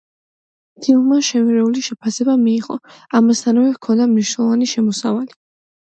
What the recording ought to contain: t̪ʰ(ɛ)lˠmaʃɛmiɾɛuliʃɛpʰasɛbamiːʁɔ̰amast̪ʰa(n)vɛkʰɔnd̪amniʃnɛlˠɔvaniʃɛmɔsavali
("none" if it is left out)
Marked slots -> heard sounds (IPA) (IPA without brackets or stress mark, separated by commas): i, n